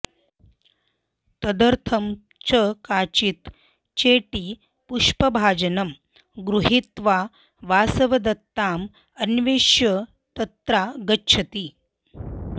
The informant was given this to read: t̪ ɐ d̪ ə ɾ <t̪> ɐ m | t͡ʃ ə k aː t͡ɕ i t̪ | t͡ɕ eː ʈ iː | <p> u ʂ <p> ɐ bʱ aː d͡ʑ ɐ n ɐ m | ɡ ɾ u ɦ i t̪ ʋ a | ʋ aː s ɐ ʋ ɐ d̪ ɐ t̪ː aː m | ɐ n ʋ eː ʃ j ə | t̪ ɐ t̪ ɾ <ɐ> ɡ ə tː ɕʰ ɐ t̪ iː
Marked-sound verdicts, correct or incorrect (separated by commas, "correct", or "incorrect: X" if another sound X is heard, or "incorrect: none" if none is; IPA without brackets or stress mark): incorrect: t̪ʰ, correct, correct, incorrect: a